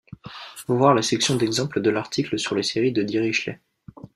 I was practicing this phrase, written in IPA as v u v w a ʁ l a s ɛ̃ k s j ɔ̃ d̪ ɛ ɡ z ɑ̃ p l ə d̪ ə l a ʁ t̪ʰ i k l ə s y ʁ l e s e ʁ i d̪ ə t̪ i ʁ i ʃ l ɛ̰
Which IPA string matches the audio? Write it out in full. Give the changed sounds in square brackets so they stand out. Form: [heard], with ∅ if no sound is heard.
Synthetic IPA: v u v w a ʁ l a s [ɛ] k s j ɔ̃ d̪ ɛ ɡ z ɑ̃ p l ə d̪ ə l a ʁ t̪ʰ i k l ə s y ʁ l e s e ʁ i d̪ ə [d̪] i ʁ i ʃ l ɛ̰